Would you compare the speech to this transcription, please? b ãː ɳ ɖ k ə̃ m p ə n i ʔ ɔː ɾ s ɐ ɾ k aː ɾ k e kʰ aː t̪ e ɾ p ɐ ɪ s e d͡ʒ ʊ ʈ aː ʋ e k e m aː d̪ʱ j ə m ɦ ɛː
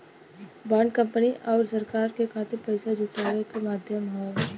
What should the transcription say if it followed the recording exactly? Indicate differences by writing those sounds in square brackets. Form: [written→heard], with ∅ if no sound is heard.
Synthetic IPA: b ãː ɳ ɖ k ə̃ m p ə n i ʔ ɔː ɾ s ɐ ɾ k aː ɾ k e kʰ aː t̪ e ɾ p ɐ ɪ s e d͡ʒ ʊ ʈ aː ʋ e k e m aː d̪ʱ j ə m ɦ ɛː